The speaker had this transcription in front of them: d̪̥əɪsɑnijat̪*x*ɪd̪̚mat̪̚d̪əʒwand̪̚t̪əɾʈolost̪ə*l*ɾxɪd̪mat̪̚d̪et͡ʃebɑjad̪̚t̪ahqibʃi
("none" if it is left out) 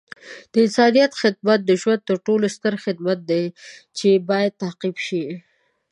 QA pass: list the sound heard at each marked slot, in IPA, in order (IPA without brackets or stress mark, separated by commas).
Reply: x, none